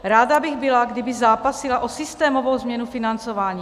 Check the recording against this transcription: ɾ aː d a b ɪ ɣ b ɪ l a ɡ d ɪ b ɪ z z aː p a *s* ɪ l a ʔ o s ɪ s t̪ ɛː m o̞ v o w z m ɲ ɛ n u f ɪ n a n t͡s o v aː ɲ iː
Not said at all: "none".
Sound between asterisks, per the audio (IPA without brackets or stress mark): s